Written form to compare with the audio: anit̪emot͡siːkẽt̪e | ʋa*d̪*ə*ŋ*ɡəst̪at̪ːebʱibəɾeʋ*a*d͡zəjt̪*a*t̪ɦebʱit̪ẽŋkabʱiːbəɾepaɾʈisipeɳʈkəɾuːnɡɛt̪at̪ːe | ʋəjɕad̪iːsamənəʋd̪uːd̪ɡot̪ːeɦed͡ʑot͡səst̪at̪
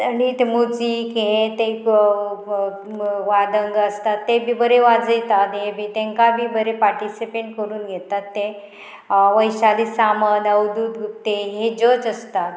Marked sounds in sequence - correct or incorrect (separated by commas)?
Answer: correct, correct, correct, correct